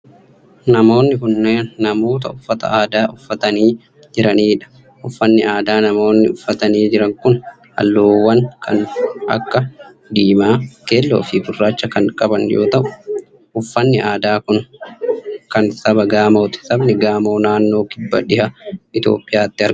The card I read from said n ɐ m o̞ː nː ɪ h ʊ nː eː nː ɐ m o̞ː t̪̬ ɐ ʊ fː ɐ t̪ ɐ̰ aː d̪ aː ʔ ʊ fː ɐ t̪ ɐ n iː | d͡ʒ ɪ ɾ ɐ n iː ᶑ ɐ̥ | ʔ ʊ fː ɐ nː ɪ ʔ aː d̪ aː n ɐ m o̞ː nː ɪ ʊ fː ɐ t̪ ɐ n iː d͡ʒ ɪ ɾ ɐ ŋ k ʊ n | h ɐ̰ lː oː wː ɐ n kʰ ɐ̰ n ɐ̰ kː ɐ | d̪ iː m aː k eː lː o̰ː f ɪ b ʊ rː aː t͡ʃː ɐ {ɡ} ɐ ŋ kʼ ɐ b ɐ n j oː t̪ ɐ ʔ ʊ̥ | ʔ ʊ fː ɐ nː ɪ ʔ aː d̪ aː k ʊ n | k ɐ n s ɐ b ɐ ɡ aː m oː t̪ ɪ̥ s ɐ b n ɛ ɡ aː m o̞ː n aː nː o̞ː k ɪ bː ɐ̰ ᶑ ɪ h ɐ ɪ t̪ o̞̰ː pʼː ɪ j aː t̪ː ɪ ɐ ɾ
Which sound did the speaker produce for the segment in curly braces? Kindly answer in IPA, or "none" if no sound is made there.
k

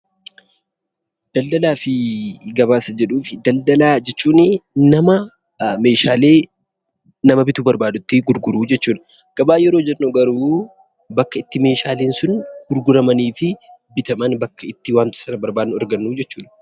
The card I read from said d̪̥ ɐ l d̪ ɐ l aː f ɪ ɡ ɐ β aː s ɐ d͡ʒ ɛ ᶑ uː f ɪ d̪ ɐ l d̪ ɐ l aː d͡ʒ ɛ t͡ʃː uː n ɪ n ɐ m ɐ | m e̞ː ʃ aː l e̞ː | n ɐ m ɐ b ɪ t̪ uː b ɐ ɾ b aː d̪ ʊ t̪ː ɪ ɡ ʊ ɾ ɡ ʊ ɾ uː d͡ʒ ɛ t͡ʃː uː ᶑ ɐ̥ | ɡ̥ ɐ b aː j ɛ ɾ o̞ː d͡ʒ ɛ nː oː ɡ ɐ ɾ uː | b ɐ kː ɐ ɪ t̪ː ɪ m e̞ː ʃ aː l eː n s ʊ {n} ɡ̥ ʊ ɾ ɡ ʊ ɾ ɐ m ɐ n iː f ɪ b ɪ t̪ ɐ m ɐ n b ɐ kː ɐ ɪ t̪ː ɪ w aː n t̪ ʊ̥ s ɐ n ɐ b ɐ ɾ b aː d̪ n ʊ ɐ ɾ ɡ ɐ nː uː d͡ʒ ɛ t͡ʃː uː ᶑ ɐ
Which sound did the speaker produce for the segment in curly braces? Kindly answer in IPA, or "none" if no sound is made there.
n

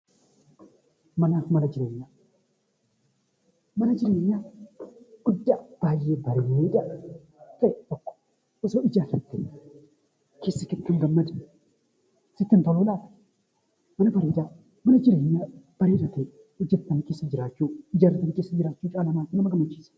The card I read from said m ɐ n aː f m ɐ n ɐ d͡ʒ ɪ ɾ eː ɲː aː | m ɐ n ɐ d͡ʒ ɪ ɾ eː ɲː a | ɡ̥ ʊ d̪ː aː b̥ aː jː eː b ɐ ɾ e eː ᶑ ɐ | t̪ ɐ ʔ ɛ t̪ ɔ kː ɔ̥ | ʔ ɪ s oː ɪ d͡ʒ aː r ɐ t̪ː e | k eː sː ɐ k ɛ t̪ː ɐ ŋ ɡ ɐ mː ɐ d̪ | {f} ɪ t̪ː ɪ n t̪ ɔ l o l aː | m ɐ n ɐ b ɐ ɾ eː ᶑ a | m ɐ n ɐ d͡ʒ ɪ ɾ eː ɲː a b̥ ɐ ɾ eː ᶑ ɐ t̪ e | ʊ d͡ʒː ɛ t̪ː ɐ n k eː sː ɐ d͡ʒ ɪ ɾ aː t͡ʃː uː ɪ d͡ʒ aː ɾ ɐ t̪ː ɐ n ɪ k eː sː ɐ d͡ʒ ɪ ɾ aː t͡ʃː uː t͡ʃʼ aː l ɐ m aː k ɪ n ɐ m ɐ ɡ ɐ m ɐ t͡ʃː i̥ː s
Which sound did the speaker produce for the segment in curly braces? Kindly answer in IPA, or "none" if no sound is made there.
s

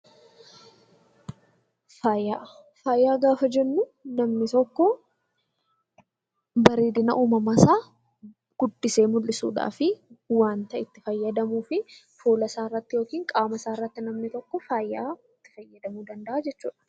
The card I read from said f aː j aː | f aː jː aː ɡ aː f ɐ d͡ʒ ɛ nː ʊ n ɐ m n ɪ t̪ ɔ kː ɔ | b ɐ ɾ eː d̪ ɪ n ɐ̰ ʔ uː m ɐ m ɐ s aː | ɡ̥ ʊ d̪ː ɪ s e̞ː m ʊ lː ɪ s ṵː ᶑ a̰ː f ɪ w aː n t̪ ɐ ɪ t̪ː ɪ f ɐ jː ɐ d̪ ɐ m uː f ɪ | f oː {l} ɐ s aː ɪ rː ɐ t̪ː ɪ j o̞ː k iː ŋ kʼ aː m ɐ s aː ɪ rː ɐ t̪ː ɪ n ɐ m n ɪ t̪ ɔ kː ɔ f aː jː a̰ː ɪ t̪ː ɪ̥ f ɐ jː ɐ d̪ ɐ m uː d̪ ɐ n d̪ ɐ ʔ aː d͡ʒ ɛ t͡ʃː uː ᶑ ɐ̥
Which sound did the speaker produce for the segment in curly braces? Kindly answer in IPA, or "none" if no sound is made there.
l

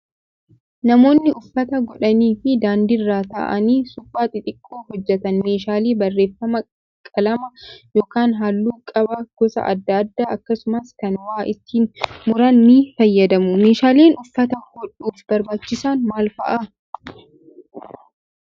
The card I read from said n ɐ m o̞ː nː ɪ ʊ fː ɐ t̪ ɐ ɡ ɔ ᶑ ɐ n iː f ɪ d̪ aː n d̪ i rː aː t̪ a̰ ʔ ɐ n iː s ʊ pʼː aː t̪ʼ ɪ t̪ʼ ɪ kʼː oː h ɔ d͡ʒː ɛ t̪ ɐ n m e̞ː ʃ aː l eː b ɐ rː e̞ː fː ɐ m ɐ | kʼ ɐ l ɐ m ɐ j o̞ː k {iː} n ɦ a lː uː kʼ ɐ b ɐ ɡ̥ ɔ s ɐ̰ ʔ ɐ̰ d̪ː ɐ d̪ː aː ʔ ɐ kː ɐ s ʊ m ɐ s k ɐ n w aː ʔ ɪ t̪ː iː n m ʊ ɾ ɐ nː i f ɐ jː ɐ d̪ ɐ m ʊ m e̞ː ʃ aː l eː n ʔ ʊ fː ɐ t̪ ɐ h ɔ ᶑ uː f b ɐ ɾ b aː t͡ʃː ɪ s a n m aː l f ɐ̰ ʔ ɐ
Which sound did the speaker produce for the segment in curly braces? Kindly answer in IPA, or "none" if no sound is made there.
aː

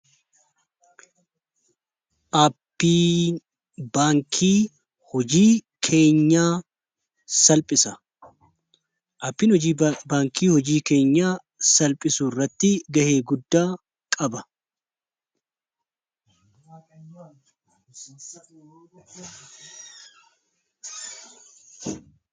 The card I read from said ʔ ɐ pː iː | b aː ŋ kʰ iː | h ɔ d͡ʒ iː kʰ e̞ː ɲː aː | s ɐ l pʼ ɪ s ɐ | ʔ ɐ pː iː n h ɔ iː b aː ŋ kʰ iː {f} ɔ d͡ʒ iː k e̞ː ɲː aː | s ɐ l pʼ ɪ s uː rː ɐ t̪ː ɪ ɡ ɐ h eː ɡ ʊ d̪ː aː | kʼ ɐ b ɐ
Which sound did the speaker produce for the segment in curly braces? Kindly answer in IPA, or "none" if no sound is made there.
h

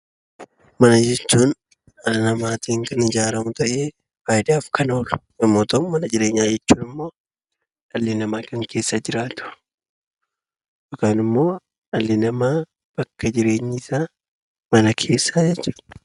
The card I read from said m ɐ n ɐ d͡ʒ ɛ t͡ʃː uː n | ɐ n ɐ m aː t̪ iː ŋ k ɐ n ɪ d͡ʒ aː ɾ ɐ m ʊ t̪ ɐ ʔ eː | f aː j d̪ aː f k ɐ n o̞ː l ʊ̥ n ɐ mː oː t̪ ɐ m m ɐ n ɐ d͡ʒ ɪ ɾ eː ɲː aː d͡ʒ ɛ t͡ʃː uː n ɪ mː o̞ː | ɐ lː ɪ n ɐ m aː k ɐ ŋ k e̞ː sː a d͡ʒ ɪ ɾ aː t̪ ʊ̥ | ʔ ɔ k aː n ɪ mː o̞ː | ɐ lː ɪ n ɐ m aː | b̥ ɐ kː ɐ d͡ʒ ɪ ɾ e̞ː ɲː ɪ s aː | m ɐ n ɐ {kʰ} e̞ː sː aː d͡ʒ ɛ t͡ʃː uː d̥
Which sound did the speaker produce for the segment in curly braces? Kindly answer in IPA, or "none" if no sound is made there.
kʰ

